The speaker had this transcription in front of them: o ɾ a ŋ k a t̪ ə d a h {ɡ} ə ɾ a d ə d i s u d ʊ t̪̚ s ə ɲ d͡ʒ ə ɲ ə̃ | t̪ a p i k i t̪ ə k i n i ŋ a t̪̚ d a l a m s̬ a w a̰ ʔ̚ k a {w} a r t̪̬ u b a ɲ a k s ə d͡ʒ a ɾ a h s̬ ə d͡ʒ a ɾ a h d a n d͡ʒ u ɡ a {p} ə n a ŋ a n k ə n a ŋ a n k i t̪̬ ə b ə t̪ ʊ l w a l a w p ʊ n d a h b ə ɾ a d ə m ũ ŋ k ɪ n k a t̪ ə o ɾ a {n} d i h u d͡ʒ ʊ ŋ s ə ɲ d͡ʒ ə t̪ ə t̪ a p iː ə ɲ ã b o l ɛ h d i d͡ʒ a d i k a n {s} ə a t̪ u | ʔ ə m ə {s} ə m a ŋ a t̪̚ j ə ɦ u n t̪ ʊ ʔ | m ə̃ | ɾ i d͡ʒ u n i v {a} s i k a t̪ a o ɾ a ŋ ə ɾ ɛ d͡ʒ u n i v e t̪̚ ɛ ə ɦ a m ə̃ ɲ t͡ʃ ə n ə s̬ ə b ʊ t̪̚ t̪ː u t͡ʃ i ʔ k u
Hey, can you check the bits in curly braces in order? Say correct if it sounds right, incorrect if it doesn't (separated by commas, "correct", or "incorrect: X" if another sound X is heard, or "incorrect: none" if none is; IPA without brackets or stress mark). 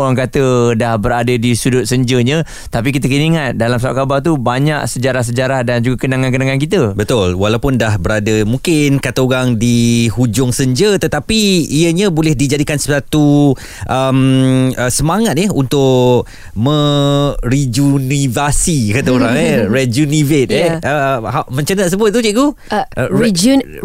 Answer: incorrect: b, incorrect: b, incorrect: k, incorrect: ŋ, correct, correct, correct